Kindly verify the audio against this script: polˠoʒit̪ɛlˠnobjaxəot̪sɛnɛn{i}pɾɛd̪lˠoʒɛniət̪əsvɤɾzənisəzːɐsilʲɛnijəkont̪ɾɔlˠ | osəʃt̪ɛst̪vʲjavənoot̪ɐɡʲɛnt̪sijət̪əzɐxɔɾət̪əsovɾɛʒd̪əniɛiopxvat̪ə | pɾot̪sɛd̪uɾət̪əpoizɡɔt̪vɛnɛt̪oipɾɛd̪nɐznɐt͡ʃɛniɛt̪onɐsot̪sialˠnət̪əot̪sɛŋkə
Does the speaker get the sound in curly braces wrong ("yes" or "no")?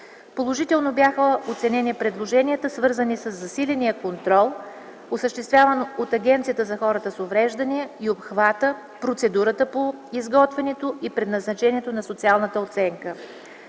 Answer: no